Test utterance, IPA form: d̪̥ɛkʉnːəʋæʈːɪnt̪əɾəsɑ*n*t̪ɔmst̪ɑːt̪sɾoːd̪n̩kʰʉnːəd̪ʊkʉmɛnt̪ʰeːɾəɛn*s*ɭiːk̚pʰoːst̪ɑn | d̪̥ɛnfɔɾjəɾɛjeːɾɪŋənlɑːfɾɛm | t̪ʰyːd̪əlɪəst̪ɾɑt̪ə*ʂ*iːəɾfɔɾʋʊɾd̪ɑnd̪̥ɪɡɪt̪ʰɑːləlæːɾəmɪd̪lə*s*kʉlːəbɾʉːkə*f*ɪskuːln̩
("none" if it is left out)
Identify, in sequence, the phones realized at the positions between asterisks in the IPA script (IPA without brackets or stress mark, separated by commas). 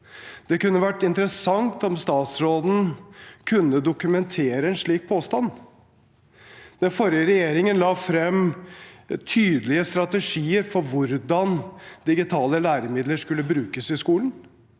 ŋ, ʂ, ʂ, ʂ, s